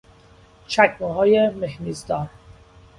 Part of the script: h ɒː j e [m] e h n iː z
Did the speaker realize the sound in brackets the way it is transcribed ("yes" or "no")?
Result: yes